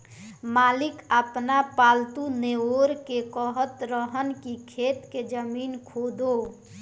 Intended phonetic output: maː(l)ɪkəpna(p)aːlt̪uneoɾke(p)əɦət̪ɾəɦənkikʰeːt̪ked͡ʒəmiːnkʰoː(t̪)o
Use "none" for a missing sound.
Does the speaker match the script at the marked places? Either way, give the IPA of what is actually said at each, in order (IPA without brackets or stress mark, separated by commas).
l, p, k, d̪